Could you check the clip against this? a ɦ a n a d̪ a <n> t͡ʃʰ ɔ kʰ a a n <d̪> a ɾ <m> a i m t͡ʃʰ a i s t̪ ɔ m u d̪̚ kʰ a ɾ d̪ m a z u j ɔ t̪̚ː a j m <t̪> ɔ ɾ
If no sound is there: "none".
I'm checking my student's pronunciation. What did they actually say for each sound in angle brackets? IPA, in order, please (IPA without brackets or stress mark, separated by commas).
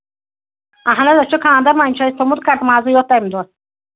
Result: none, d̪, m, d̪